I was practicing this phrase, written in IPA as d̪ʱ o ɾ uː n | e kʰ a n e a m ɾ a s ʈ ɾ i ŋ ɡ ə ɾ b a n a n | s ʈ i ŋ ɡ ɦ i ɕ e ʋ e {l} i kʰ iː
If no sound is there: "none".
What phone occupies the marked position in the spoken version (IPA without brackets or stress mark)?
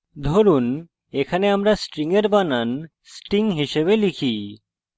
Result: l